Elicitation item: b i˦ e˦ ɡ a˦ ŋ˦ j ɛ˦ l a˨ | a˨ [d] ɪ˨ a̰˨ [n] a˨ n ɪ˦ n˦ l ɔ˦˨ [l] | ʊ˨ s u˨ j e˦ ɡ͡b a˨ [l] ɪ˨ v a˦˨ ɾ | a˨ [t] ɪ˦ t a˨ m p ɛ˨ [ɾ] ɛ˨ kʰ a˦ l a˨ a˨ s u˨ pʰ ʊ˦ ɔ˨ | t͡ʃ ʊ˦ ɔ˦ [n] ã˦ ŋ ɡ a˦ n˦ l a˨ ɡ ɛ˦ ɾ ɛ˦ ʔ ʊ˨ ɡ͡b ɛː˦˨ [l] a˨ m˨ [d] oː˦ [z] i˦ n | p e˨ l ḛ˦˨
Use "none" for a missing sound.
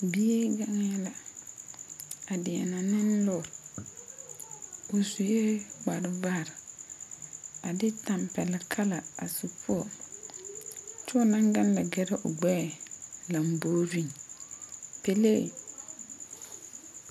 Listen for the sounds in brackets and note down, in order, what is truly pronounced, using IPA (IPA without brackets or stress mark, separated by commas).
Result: d, n, ɾ, ɾ, d, l, n, l, b, v